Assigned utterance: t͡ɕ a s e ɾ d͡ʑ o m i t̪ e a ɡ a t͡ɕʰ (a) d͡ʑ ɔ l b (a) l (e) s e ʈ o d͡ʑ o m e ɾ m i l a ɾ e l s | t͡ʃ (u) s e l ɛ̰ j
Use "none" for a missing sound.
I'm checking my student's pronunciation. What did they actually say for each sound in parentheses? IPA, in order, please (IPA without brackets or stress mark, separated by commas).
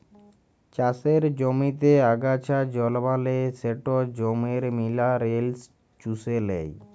a, a, e, u